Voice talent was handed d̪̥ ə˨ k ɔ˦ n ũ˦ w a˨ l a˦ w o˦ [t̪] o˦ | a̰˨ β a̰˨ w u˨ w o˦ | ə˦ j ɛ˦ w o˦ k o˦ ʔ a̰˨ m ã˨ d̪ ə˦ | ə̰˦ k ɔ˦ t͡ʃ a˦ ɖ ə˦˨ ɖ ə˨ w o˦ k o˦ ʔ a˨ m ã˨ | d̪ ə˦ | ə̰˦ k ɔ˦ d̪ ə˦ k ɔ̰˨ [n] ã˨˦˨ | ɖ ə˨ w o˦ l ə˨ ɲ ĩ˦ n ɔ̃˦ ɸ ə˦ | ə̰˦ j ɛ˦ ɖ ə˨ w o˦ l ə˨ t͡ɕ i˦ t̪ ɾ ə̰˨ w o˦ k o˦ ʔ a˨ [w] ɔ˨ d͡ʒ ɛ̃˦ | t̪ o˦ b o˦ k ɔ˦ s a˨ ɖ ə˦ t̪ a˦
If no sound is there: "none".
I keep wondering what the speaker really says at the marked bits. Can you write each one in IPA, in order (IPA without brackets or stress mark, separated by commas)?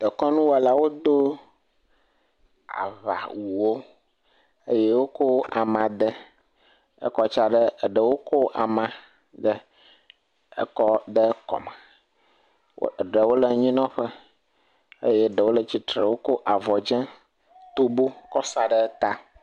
d̪, m, v